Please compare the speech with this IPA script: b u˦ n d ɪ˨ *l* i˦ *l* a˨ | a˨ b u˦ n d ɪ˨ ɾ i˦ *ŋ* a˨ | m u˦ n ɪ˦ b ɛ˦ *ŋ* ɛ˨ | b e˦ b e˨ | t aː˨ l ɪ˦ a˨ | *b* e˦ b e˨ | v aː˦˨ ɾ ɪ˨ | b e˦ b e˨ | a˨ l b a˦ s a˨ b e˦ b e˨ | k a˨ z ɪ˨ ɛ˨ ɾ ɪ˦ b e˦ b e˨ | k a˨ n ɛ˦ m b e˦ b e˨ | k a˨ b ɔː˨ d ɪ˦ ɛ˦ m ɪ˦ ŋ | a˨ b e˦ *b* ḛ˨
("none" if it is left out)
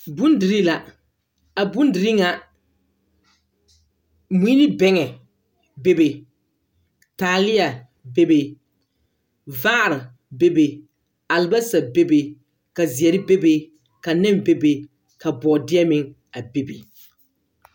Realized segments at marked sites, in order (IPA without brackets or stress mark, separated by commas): ɾ, l, ŋ, ŋ, b, b